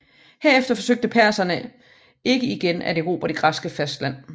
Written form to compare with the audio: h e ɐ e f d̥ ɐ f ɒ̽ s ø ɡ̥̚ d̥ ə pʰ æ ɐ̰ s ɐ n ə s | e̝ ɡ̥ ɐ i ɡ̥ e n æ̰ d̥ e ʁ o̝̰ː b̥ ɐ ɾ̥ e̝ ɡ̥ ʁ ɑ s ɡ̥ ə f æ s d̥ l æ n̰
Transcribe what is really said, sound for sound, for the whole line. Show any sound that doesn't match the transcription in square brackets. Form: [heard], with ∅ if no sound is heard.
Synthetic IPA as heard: h e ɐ e f d̥ ɐ f ɒ̽ s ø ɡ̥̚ d̥ ə pʰ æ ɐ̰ s ɐ n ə [∅] | e̝ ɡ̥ [ə] i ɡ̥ e n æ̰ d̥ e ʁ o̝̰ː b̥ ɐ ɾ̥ e̝ ɡ̥ ʁ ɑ s ɡ̥ ə f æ s d̥ l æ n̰